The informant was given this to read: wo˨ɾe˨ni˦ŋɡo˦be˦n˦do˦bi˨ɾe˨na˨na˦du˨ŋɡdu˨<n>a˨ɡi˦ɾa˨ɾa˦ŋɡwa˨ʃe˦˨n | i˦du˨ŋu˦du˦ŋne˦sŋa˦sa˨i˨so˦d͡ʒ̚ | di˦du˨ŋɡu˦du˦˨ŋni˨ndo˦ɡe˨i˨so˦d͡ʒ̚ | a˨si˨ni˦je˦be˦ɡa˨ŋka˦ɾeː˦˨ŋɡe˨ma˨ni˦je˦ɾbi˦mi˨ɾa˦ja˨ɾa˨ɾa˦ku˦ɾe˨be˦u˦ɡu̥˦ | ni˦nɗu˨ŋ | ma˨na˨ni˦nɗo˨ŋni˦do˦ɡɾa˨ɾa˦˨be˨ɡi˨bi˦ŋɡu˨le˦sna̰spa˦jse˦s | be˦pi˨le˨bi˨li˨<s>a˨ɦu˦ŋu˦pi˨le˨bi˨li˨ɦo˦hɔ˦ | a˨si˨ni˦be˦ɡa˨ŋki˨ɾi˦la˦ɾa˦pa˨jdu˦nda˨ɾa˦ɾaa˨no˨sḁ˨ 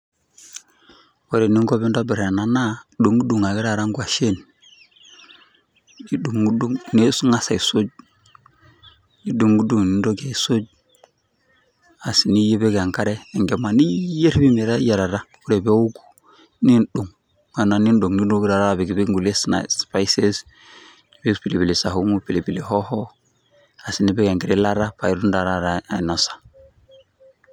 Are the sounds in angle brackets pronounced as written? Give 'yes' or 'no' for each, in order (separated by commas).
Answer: no, yes